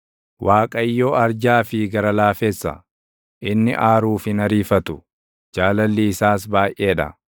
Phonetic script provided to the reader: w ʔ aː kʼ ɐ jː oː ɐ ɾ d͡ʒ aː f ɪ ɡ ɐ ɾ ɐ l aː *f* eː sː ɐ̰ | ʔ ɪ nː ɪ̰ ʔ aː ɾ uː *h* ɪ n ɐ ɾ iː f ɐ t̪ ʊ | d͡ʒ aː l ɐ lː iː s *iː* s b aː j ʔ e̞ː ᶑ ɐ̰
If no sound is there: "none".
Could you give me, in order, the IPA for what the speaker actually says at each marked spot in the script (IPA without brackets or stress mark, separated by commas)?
f, f, aː